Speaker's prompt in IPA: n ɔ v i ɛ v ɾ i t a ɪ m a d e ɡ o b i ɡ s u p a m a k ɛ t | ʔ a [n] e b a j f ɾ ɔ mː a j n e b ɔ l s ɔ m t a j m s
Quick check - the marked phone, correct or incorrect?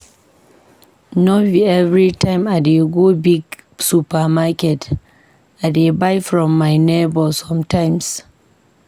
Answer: incorrect